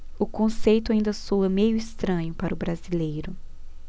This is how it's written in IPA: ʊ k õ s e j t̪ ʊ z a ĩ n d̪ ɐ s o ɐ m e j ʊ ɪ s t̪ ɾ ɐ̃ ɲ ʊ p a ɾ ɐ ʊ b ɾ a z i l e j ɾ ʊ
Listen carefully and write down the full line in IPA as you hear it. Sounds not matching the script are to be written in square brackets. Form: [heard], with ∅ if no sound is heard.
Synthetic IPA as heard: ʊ k õ s e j t̪ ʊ [∅] a ĩ n d̪ ɐ s o ɐ m e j ʊ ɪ s t̪ ɾ ɐ̃ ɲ ʊ p a ɾ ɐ ʊ b ɾ a z i l e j ɾ ʊ